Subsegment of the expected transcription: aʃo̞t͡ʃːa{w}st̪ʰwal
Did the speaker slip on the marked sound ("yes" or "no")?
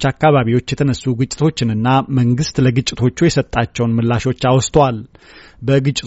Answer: no